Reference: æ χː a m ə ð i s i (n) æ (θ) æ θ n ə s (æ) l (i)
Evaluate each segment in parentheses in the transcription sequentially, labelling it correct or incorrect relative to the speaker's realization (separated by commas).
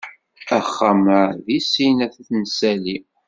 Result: correct, correct, correct, correct